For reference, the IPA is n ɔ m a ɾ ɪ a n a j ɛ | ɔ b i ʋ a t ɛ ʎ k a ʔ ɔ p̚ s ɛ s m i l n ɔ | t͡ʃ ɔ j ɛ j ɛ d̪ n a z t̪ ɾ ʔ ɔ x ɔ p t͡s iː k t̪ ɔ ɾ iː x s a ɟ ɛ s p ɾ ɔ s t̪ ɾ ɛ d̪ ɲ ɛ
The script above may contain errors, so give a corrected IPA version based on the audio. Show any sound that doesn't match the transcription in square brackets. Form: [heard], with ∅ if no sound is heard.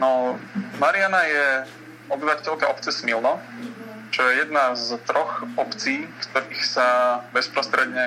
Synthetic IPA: n ɔ m a ɾ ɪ a n a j ɛ | ɔ b i ʋ a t ɛ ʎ k a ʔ ɔ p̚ [t͡s] ɛ s m i l n ɔ | t͡ʃ ɔ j ɛ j ɛ d̪ n a z t̪ ɾ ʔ ɔ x ɔ p t͡s iː k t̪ ɔ ɾ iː x s a [b] ɛ s p ɾ ɔ s t̪ ɾ ɛ d̪ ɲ ɛ